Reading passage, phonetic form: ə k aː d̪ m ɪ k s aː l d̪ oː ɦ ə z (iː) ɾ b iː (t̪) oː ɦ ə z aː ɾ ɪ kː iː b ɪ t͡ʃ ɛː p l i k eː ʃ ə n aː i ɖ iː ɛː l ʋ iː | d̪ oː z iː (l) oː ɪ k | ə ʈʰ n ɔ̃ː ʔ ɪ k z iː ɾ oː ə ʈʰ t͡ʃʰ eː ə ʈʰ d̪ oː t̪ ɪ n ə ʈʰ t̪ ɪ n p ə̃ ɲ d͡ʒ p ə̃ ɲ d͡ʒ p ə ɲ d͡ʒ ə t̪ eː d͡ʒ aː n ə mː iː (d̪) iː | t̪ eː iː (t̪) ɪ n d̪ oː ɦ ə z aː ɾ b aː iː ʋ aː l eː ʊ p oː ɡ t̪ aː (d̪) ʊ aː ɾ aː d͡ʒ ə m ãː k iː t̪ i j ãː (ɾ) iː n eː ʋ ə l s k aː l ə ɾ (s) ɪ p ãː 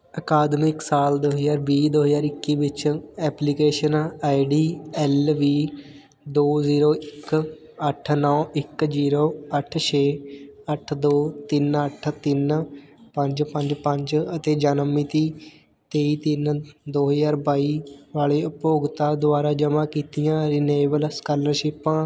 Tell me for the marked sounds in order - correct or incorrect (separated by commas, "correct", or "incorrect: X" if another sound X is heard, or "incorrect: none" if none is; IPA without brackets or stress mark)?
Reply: incorrect: aː, incorrect: d̪, incorrect: ɾ, incorrect: t̪, correct, correct, correct, incorrect: ʃ